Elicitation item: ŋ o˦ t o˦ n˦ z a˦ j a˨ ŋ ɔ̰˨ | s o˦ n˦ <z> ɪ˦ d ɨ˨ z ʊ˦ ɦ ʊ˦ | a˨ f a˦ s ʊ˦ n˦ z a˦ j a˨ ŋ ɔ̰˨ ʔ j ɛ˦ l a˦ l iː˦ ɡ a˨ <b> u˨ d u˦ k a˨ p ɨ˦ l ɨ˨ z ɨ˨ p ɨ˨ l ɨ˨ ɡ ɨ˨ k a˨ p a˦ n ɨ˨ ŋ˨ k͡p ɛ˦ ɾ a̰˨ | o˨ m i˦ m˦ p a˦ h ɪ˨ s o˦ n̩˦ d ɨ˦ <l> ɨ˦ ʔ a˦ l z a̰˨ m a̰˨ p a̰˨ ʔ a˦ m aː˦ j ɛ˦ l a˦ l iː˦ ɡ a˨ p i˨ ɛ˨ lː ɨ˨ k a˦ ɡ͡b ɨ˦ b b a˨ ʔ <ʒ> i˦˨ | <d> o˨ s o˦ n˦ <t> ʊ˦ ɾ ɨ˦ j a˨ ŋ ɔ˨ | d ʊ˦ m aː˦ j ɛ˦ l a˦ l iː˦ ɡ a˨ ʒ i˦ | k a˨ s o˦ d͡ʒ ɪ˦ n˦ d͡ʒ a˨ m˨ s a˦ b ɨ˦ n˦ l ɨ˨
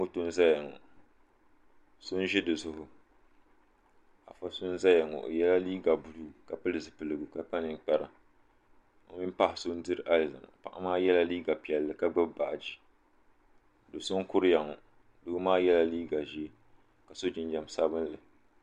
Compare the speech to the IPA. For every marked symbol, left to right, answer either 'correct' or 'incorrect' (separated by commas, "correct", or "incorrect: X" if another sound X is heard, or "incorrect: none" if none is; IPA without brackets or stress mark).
incorrect: ʒ, correct, incorrect: ɾ, incorrect: d͡ʒ, correct, incorrect: k